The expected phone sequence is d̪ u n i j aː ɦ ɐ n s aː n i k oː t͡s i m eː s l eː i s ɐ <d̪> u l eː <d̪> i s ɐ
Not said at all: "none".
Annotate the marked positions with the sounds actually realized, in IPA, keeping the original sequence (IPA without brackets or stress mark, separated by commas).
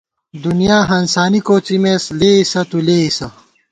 t̪, none